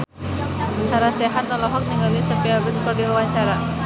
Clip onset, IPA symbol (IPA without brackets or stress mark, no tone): s